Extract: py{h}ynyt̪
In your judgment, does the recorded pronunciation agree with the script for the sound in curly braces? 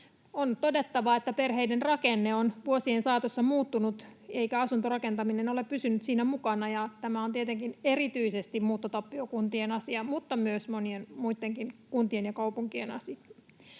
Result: no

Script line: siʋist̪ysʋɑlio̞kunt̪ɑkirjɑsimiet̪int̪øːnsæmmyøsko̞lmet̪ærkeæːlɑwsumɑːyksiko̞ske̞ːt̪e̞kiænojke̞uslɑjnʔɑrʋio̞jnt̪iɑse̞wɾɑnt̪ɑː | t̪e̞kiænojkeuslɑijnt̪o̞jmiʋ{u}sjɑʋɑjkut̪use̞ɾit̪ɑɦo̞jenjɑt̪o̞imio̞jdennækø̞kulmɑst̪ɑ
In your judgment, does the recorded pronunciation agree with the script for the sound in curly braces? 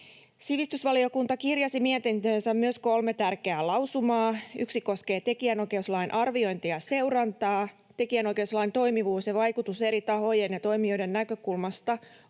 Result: no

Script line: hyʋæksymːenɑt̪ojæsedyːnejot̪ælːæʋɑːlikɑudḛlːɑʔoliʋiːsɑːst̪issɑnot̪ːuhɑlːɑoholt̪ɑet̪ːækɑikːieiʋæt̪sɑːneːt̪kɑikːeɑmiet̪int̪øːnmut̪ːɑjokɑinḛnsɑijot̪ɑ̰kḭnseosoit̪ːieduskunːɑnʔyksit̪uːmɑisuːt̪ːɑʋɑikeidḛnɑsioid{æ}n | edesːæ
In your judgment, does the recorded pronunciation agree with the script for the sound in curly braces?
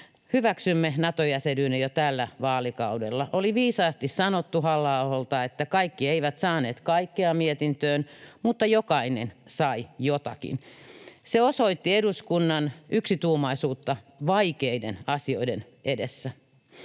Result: no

